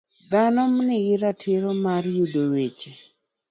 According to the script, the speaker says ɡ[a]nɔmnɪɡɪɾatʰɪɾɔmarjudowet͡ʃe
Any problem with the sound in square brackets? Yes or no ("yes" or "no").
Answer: no